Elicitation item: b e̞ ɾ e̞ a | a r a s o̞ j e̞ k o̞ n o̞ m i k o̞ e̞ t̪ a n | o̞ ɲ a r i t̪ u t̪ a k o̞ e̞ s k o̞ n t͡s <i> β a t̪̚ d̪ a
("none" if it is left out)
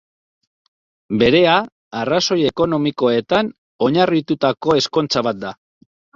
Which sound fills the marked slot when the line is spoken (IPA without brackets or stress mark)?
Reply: a